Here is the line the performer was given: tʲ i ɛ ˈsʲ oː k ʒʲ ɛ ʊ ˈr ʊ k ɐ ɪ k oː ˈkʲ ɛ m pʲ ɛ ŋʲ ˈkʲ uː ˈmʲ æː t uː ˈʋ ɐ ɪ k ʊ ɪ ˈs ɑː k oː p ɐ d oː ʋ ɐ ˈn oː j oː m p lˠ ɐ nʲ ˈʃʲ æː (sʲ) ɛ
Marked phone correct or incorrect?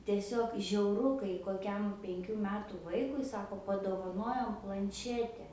incorrect